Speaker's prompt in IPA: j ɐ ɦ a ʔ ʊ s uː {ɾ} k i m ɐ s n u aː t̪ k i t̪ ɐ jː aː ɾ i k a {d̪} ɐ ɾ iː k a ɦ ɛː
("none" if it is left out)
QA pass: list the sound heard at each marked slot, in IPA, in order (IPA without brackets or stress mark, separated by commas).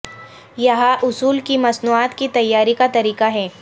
l, t̪